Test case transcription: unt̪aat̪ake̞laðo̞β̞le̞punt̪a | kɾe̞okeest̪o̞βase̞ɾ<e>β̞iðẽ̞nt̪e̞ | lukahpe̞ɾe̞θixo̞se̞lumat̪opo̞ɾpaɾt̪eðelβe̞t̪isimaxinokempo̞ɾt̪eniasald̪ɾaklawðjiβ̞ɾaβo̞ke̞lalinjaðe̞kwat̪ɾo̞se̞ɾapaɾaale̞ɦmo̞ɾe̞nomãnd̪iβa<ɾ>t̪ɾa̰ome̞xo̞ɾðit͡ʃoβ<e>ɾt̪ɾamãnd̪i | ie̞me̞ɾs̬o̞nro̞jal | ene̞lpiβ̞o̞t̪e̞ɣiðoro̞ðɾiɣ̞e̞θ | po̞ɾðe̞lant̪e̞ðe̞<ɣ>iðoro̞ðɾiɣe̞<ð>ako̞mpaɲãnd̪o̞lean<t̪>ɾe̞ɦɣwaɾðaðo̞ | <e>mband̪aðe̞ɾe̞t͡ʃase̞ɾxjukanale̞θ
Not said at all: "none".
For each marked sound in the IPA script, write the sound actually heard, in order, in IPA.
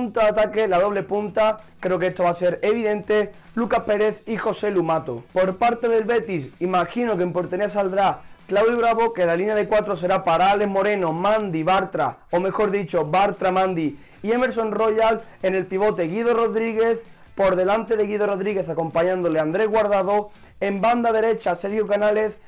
e, ɾ, a, ɣ, θ, d̪, e

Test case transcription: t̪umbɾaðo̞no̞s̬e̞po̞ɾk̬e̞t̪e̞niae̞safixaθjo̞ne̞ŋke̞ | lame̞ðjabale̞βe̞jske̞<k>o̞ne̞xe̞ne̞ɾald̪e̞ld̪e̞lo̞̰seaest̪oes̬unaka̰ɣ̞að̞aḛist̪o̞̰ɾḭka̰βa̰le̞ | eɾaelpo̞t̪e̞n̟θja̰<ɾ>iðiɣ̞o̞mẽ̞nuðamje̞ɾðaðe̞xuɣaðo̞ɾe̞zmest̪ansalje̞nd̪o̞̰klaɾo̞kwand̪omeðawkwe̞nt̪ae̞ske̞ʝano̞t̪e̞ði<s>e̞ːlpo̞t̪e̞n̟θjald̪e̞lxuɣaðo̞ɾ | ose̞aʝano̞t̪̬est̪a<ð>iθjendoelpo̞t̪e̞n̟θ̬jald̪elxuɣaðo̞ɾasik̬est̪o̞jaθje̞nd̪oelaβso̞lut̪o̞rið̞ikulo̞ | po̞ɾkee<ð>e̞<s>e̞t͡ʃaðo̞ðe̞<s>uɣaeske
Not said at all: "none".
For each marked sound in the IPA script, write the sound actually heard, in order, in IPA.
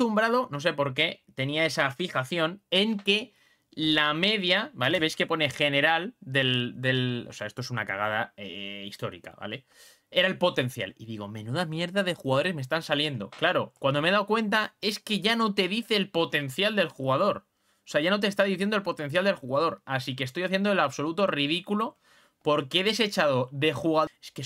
p, l, θ, ð, ð, s, x

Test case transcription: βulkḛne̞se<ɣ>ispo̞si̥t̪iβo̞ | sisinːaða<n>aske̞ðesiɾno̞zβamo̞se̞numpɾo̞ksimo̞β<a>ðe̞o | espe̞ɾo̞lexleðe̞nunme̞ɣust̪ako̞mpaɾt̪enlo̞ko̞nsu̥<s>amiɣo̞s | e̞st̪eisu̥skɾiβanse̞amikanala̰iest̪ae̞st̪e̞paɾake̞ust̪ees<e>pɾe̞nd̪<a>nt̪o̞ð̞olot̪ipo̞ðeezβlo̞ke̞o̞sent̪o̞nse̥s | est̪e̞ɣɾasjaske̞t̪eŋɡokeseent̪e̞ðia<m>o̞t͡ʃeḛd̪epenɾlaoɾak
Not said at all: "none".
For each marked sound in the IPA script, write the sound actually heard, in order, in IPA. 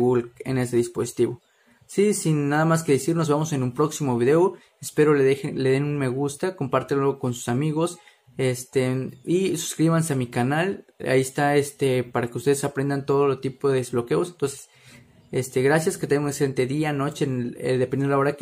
ð, m, i, s, a, a, n

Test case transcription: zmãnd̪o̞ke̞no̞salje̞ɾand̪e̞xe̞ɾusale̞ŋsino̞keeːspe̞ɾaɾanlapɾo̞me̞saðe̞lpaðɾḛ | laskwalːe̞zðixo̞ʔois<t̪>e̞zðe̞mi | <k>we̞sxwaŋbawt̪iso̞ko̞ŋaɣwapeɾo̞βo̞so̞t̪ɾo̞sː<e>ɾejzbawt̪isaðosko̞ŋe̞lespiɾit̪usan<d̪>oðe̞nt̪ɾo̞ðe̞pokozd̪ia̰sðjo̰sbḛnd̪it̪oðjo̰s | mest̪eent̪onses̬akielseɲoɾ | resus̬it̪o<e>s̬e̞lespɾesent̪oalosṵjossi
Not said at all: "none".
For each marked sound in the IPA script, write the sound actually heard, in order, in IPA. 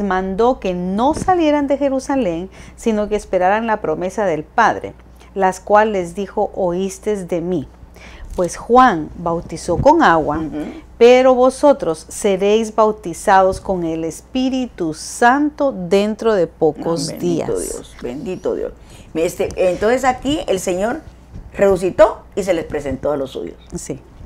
t̪, p, e, t̪, i

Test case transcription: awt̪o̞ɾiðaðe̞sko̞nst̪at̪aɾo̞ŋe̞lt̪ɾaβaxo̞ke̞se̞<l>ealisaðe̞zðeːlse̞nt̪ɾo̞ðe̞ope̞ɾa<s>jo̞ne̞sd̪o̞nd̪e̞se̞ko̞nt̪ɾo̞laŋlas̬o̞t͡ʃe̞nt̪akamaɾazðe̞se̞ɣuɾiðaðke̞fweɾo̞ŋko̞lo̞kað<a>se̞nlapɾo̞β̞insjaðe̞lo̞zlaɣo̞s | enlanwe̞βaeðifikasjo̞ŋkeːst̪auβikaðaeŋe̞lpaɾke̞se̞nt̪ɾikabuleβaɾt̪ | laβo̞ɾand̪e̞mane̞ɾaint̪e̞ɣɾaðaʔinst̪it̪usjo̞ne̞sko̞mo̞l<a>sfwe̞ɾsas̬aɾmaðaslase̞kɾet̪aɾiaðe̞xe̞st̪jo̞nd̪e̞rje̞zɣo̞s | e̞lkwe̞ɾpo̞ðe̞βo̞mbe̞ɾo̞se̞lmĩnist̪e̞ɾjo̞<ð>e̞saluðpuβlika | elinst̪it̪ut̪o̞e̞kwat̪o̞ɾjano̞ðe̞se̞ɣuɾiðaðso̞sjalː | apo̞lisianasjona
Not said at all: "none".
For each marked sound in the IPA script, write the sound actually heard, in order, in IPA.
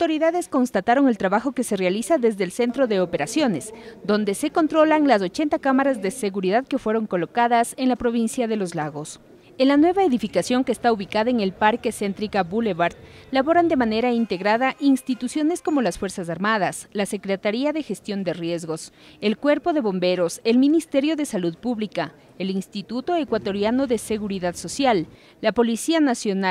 r, s, a, a, ð

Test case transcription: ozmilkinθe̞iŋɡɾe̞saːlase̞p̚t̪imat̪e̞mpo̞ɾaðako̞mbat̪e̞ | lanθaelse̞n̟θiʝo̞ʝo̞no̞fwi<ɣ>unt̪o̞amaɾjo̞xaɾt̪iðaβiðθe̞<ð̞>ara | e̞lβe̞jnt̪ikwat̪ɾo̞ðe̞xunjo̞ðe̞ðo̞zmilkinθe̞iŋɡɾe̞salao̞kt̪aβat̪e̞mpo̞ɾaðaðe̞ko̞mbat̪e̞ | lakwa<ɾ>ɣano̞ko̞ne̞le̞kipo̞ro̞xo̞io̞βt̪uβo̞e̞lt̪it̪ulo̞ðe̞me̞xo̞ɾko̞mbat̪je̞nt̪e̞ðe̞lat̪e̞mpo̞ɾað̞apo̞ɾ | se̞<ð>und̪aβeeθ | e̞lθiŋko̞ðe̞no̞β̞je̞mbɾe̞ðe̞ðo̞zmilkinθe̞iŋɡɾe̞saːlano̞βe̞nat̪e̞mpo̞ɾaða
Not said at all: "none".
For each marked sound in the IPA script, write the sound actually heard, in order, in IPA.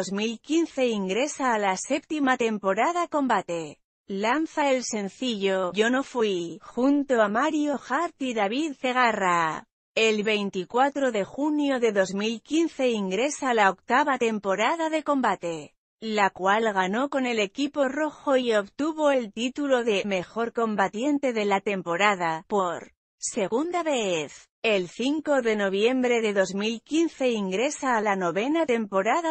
x, ɣ̞, l, ɣ

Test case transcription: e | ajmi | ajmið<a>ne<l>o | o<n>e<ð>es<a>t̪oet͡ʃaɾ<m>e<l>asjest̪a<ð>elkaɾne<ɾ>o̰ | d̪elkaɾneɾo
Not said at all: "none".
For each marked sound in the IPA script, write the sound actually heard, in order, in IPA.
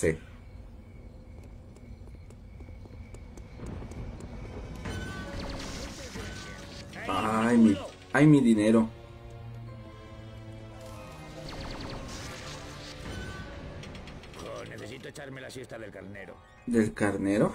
i, ɾ, n, θ, i, m, l, ð, ɾ

